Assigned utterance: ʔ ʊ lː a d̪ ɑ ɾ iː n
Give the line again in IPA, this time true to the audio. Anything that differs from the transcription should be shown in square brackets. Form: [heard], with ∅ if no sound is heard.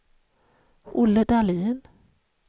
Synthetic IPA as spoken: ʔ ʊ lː [ə] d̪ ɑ [l] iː n